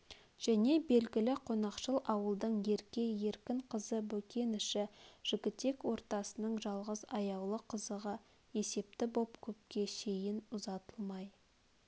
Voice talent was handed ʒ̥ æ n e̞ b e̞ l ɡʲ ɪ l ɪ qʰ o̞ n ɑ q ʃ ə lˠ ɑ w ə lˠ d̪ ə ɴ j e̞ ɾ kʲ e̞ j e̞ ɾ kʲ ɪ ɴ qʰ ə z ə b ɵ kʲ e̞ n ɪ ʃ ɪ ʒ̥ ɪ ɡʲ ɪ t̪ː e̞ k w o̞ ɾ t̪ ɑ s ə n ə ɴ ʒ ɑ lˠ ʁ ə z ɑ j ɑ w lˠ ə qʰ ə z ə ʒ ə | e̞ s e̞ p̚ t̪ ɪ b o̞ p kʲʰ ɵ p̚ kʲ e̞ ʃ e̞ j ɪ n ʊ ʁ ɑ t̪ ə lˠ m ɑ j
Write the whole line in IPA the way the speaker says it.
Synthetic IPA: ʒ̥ æ n e̞ b e̞ l ɡʲ ɪ l ɪ qʰ o̞ n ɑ q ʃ ə lˠ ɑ w ə lˠ d̪ ə ɴ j e̞ ɾ kʲ e̞ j e̞ ɾ kʲ ɪ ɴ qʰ ə z ə b ɵ kʲ e̞ n ɪ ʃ ɪ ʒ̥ ɪ ɡʲ ɪ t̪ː e̞ k w o̞ ɾ t̪ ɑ s ə n ə ɴ ʒ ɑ lˠ ʁ ə z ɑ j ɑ w lˠ ə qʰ ə z ə ʁ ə | e̞ s e̞ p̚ t̪ ɪ b o̞ p kʲʰ ɵ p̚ kʲ e̞ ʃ e̞ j ɪ n ʊ z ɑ t̪ ə lˠ m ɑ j